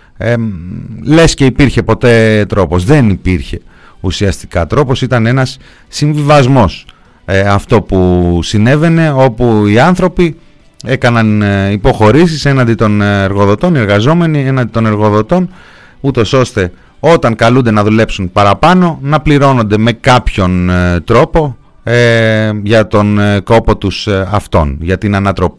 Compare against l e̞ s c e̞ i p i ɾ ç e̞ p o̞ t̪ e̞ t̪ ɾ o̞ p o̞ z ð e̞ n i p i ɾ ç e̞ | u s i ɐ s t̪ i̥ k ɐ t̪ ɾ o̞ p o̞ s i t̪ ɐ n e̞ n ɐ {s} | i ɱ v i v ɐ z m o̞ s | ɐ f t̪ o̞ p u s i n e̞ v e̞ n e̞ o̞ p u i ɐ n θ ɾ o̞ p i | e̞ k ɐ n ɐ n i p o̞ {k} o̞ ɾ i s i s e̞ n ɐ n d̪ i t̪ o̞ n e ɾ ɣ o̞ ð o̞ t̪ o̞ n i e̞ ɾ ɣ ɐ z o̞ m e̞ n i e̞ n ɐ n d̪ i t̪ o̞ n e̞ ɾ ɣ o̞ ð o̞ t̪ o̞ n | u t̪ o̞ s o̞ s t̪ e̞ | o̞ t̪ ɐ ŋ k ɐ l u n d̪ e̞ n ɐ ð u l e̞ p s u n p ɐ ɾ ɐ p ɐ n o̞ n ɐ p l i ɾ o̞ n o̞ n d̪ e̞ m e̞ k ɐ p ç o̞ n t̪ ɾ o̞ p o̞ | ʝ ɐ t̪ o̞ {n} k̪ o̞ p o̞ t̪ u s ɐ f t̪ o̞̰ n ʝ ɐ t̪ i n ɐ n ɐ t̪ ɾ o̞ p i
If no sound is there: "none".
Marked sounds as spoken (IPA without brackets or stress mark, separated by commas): sː, x, n